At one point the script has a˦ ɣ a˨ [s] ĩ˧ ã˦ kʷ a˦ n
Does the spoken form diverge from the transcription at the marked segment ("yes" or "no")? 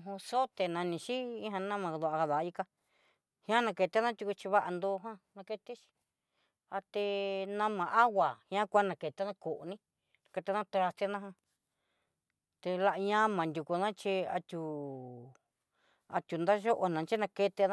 yes